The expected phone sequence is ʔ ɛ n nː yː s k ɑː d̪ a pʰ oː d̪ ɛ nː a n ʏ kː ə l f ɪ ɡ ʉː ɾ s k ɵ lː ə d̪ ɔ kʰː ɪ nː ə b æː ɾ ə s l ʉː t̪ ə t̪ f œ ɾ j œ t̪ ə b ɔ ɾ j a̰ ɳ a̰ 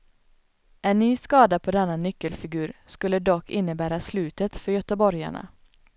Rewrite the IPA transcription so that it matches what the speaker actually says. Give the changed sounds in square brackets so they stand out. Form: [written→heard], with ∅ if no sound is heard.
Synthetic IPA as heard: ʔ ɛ n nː yː s k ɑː d̪ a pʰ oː d̪ ɛ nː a n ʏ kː ə l f ɪ ɡ ʉː ɾ s k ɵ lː ə d̪ ɔ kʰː ɪ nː ə b æː ɾ [ə→a] s l ʉː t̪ ə t̪ f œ ɾ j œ t̪ ə b ɔ ɾ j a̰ ɳ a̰